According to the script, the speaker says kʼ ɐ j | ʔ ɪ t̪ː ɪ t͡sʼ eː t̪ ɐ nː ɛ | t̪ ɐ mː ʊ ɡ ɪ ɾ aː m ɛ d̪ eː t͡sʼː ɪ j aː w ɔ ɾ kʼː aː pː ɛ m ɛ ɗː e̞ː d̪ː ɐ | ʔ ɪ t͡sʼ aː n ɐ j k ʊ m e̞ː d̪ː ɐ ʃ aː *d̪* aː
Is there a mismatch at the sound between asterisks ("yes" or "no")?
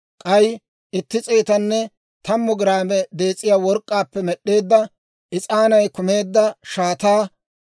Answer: yes